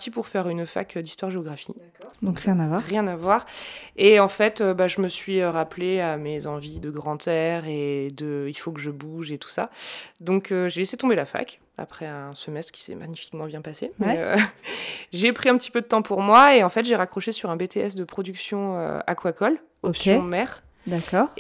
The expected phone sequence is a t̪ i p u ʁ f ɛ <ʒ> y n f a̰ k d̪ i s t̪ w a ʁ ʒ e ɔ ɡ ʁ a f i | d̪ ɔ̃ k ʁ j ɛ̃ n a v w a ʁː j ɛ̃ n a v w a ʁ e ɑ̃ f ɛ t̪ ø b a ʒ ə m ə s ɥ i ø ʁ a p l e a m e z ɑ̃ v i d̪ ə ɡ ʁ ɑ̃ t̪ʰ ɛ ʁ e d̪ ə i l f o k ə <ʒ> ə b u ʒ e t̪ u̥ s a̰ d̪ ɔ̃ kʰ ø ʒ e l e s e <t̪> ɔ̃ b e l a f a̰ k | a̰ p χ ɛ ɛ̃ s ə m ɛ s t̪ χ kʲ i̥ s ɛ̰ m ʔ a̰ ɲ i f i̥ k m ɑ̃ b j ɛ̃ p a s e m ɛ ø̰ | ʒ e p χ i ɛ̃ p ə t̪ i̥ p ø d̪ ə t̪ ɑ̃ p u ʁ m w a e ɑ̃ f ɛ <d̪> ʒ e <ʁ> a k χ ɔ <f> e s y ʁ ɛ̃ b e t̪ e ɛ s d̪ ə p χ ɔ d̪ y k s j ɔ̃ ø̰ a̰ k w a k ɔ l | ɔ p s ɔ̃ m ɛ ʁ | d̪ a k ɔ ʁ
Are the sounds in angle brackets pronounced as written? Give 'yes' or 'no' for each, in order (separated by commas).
no, yes, yes, no, yes, no